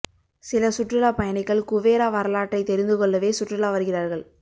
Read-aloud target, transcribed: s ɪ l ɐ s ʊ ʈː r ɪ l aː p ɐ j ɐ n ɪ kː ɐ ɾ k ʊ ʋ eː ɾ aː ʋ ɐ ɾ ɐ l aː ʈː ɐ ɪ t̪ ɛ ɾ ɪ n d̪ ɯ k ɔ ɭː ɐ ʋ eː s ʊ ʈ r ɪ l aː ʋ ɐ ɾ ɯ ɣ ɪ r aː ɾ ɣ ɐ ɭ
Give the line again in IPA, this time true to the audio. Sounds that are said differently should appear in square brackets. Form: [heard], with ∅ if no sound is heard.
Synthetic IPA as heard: s ɪ l ɐ s ʊ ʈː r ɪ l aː p ɐ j ɐ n ɪ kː ɐ [ɭ] k ʊ ʋ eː ɾ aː ʋ ɐ ɾ ɐ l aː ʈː ɐ ɪ t̪ ɛ ɾ ɪ n d̪ ɯ k ɔ ɭː ɐ ʋ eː s ʊ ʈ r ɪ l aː ʋ ɐ ɾ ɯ ɣ ɪ r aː ɾ ɣ ɐ ɭ

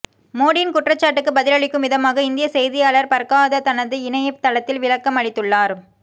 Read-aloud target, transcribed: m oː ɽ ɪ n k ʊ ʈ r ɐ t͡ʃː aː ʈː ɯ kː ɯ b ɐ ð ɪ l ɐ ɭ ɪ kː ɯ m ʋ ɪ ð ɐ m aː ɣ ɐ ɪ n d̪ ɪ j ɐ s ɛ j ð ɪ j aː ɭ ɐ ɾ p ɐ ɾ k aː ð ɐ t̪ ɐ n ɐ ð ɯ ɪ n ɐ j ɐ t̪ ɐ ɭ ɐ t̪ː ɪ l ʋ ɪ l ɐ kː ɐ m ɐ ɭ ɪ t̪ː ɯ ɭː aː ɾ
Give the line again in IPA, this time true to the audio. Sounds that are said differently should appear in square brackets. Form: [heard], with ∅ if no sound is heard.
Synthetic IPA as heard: m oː ɽ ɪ n k ʊ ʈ r ɐ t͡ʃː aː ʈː ɯ kː ɯ b ɐ ð ɪ l ɐ ɭ ɪ kː ɯ m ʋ ɪ ð ɐ m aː ɣ ɐ ɪ n d̪ ɪ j ɐ s ɛ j ð ɪ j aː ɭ ɐ ɾ p ɐ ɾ k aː ð ɐ t̪ ɐ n ɐ ð ɯ ɪ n ɐ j ɐ t̪ ɐ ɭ ɐ t̪ː ɪ l ʋ ɪ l ɐ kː ɐ m ɐ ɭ ɪ t̪ː ɯ ɭː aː ɾ

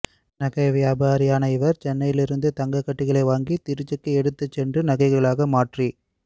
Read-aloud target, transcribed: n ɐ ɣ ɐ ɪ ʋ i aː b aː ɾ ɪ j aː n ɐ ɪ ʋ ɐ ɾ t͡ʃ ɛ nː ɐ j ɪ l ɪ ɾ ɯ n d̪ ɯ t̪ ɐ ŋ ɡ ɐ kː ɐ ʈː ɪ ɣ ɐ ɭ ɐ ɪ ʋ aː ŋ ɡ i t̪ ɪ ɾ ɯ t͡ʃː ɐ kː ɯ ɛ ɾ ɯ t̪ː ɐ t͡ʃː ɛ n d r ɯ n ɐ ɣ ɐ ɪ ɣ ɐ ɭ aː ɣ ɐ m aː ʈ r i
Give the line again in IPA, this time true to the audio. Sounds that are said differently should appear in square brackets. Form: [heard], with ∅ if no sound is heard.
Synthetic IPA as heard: n ɐ ɣ ɐ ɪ ʋ [j] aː b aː ɾ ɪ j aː n ɐ ɪ ʋ ɐ ɾ t͡ʃ ɛ nː ɐ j ɪ l ɪ ɾ ɯ n d̪ ɯ t̪ ɐ ŋ ɡ ɐ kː ɐ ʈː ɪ ɣ ɐ ɭ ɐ ɪ ʋ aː ŋ ɡ i t̪ ɪ ɾ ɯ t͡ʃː ɐ kː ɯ ɛ [ɽ] ɯ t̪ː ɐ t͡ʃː ɛ n d r ɯ n ɐ ɣ ɐ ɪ ɣ ɐ ɭ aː ɣ ɐ m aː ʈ r i

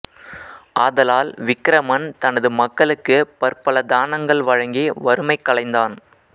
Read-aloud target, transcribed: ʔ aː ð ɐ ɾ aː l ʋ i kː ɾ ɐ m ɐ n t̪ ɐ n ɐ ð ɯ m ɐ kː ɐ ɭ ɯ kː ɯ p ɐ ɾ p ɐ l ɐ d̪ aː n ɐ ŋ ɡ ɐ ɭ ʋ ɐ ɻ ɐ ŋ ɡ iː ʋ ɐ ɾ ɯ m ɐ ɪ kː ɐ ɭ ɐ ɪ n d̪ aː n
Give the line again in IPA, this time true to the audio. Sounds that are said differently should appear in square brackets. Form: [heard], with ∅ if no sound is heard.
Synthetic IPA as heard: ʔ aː ð ɐ [l] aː l ʋ [ɪ] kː ɾ ɐ m ɐ n t̪ ɐ n ɐ ð ɯ m ɐ kː ɐ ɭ ɯ kː ɯ p ɐ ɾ p ɐ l ɐ d̪ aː n ɐ ŋ ɡ ɐ ɭ ʋ ɐ ɻ ɐ ŋ ɡ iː ʋ ɐ ɾ ɯ m ɐ ɪ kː ɐ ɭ ɐ ɪ n d̪ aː n

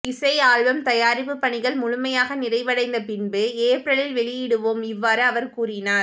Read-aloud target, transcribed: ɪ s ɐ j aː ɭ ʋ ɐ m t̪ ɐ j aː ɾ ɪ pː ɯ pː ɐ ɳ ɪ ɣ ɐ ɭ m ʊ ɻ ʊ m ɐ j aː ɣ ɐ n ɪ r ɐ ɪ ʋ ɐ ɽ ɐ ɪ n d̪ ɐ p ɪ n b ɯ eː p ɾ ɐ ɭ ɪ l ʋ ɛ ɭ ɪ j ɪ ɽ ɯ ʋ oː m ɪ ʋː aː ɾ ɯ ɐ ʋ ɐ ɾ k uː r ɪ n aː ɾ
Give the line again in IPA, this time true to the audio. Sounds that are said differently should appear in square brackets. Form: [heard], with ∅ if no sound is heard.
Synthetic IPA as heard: ɪ s ɐ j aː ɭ ʋ ɐ m t̪ ɐ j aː ɾ ɪ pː ɯ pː ɐ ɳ ɪ ɣ ɐ ɭ m ʊ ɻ ʊ m ɐ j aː ɣ ɐ n ɪ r ɐ ɪ ʋ ɐ ɽ ɐ ɪ n d̪ ɐ p ɪ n b ɯ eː p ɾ ɐ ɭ ɪ l ʋ ɛ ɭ ɪ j ɪ ɽ ɯ ʋ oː m ɪ ʋː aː ɾ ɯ ɐ ʋ ɐ ɾ k uː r ɪ n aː ɾ

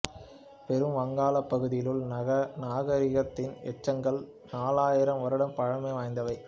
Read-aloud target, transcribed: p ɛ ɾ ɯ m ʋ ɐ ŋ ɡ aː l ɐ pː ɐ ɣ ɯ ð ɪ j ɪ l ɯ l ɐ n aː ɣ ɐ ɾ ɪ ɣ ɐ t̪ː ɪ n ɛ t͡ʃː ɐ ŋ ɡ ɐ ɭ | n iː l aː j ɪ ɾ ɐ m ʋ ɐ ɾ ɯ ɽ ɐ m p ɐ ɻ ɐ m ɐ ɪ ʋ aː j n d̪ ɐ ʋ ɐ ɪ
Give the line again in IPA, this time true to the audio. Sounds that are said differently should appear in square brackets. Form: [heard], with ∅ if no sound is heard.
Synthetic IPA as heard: p ɛ ɾ ɯ m ʋ ɐ ŋ ɡ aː l ɐ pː ɐ ɣ ɯ ð ɪ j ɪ l ɯ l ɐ n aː ɣ ɐ ɾ ɪ ɣ ɐ t̪ː ɪ n ɛ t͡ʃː ɐ ŋ ɡ ɐ ɭ | n [aː] l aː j ɪ ɾ ɐ m ʋ ɐ ɾ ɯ ɽ ɐ m p ɐ ɻ ɐ m ɐ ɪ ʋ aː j n d̪ ɐ ʋ ɐ ɪ

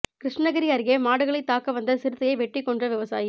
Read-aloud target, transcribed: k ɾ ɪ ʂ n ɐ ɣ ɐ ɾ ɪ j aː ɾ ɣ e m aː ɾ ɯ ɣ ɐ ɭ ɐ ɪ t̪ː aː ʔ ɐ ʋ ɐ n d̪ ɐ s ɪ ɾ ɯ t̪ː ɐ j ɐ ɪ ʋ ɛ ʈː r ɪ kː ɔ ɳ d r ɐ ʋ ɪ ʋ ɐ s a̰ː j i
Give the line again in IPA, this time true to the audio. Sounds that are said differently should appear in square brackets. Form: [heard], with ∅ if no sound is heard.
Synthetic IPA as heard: k ɾ ɪ ʂ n ɐ ɣ ɐ ɾ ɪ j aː ɾ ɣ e m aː [ɽ] ɯ ɣ ɐ ɭ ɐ ɪ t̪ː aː [k] ɐ ʋ ɐ n d̪ ɐ s ɪ ɾ ɯ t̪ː ɐ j ɐ ɪ ʋ ɛ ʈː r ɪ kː ɔ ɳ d r ɐ ʋ ɪ ʋ ɐ s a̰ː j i

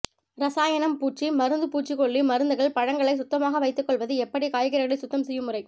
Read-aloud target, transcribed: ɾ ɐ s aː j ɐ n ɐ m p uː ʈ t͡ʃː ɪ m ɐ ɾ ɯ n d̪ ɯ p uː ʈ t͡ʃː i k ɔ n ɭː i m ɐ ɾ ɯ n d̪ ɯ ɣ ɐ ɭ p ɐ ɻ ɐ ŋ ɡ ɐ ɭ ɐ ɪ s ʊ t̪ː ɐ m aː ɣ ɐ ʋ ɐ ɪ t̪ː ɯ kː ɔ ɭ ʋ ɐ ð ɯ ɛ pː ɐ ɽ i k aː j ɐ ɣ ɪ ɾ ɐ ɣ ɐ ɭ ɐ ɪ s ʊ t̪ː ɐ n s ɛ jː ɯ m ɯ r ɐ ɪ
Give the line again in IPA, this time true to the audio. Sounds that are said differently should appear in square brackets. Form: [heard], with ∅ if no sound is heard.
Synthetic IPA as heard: ɾ ɐ s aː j ɐ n ɐ m p uː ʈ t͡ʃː [i] m ɐ ɾ ɯ n d̪ ɯ p uː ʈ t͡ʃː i k ɔ [∅] ɭː i m ɐ ɾ ɯ n d̪ ɯ ɣ ɐ ɭ p ɐ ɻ ɐ ŋ ɡ ɐ ɭ ɐ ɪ s ʊ t̪ː ɐ m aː ɣ ɐ ʋ ɐ ɪ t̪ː ɯ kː ɔ ɭ ʋ ɐ ð ɯ ɛ pː ɐ ɽ i k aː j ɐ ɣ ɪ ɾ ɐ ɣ ɐ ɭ ɐ ɪ s ʊ t̪ː ɐ [m] s ɛ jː ɯ m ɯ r ɐ ɪ

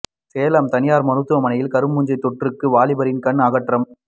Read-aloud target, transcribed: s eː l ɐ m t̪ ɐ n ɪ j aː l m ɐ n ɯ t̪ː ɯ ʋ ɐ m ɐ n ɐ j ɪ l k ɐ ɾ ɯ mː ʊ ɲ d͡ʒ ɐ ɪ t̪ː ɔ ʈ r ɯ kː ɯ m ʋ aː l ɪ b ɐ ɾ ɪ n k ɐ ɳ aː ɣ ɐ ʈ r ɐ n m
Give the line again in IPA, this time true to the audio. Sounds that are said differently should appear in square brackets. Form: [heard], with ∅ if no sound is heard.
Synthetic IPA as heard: s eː l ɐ m t̪ ɐ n ɪ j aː [ɾ] m ɐ n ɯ t̪ː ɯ ʋ ɐ m ɐ n ɐ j ɪ l k ɐ ɾ ɯ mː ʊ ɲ d͡ʒ ɐ ɪ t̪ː ɔ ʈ r ɯ kː ɯ [∅] ʋ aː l ɪ b ɐ ɾ ɪ n k ɐ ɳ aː ɣ ɐ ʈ r ɐ [∅] m

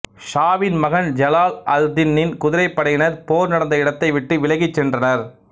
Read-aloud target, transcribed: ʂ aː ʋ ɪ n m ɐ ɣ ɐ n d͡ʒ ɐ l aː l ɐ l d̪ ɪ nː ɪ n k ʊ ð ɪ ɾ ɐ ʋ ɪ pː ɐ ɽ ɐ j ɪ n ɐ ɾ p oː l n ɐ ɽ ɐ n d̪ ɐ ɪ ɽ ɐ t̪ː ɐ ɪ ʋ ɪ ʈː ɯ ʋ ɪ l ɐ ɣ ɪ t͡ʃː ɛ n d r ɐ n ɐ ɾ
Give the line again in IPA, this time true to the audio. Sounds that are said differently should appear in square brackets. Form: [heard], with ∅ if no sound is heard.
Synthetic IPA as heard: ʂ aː ʋ ɪ n m ɐ ɣ ɐ n d͡ʒ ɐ l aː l ɐ l d̪ ɪ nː ɪ n k ʊ ð ɪ ɾ ɐ [∅] ɪ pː ɐ ɽ ɐ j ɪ n ɐ ɾ p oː [ɾ] n ɐ ɽ ɐ n d̪ ɐ ɪ ɽ ɐ t̪ː ɐ ɪ ʋ ɪ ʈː ɯ ʋ ɪ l ɐ ɣ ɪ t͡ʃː ɛ n d r ɐ n ɐ ɾ

